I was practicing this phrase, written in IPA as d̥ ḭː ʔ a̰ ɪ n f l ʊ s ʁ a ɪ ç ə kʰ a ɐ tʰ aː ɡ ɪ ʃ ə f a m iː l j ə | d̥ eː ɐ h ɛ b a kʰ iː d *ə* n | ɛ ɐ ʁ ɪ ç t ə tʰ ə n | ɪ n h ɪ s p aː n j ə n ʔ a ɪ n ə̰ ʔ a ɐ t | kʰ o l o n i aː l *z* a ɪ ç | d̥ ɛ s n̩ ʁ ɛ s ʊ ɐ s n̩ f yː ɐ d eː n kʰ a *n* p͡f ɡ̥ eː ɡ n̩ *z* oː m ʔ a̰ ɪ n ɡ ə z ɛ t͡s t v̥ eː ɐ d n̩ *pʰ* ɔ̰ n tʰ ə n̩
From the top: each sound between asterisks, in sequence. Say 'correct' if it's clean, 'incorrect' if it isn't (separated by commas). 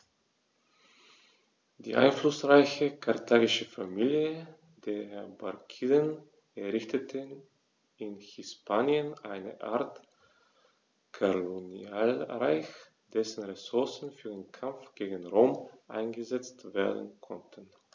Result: correct, incorrect, incorrect, incorrect, incorrect